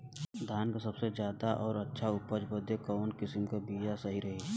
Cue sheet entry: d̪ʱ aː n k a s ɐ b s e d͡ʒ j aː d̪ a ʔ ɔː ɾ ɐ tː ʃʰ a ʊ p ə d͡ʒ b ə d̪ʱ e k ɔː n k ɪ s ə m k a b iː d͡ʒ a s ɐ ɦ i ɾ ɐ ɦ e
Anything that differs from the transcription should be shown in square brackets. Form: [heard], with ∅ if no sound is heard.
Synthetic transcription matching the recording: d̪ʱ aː n k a s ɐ b s e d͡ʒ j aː d̪ a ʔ ɔː ɾ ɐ tː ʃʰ a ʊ p ə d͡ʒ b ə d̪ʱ e k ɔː n k ɪ s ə m k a b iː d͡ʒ a s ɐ ɦ i ɾ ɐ ɦ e

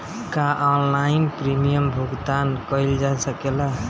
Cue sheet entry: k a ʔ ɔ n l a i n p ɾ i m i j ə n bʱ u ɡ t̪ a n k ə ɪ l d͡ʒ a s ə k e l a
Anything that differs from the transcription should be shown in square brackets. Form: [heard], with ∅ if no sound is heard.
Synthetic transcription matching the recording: k a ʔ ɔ n l a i n p ɾ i m i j ə [m] bʱ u ɡ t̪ a n k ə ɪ l d͡ʒ a s ə k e l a

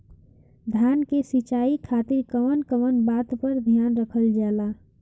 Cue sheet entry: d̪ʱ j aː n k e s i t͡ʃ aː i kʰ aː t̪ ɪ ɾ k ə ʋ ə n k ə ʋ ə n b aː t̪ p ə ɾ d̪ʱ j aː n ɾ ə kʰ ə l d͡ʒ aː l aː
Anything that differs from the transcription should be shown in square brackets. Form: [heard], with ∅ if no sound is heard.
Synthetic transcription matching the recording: d̪ʱ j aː n k e s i t͡ʃ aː i kʰ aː t̪ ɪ ɾ k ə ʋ ə n k ə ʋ ə n b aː t̪ p ə ɾ d̪ʱ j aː n ɾ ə kʰ ə l d͡ʒ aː l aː

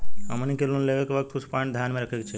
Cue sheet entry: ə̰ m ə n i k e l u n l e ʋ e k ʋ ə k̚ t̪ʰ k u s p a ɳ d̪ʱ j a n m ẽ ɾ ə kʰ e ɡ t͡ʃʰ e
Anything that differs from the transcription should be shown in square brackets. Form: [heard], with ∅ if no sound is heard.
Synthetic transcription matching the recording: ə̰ m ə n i k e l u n l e ʋ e k ʋ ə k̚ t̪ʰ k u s p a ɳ d̪ʱ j a n m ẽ ɾ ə kʰ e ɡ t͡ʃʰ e

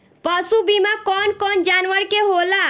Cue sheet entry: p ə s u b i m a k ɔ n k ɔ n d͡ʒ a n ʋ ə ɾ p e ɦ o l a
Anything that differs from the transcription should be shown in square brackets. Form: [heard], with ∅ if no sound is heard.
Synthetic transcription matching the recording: p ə s u b i m a k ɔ n k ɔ n d͡ʒ a n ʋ ə ɾ [k] e ɦ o l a

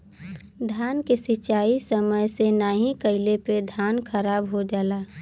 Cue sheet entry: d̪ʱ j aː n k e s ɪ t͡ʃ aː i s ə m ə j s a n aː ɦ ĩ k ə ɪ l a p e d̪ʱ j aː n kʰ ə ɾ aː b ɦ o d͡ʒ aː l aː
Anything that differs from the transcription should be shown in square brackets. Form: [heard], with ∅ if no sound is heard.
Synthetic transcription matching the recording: d̪ʱ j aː n k e s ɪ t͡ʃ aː i s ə m ə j s [e] n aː ɦ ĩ k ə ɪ l [e] p e d̪ʱ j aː n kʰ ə ɾ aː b ɦ o d͡ʒ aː l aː

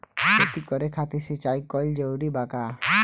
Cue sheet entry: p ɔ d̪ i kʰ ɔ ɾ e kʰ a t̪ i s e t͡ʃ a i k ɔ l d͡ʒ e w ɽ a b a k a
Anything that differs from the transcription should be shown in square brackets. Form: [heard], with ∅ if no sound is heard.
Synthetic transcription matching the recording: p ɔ [t̪] i [k] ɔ ɾ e kʰ a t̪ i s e t͡ʃ a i k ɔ l d͡ʒ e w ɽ [i] b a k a

